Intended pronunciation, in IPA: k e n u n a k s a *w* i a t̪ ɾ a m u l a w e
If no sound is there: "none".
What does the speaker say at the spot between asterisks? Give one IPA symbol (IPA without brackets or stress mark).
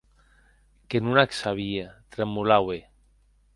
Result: β